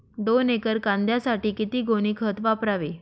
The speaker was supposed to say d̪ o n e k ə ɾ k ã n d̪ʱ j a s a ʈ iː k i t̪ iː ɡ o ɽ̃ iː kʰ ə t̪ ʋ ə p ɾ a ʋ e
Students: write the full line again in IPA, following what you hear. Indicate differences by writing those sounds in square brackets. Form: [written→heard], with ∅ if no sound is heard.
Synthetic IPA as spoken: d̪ o n e k ə ɾ k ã n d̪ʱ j a s a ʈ iː k i t̪ iː ɡ o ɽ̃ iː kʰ ə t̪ ʋ [ə→a] p ɾ a ʋ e